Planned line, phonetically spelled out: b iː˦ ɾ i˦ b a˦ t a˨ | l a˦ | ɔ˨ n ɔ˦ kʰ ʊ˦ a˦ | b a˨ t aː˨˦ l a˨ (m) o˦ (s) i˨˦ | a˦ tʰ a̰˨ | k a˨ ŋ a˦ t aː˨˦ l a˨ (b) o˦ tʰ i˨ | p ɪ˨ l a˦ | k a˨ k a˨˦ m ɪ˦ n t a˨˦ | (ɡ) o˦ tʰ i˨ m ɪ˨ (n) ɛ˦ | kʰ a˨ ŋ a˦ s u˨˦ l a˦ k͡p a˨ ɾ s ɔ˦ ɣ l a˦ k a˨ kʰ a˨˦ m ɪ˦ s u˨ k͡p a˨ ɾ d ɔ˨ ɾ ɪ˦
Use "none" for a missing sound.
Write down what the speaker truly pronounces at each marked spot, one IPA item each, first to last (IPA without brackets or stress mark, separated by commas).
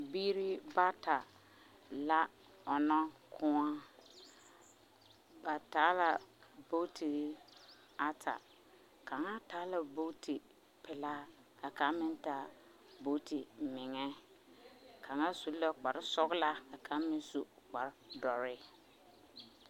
b, t, b, b, ŋ